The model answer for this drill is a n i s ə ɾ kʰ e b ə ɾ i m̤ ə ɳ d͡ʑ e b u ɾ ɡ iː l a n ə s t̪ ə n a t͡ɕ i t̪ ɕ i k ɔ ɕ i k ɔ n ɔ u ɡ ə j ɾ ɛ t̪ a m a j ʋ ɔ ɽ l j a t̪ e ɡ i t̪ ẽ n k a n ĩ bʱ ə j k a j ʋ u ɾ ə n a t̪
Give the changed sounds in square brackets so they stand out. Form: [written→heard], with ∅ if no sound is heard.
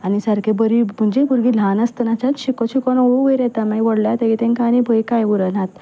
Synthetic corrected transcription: a n i s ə ɾ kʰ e b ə ɾ i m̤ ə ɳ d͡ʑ e b u ɾ ɡ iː l a n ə s t̪ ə n a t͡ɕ [i→a] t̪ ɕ i k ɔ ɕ i k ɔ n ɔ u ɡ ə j ɾ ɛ t̪ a m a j ʋ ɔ ɽ l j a t̪ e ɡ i t̪ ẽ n k a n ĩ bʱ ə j k a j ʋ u ɾ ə n a t̪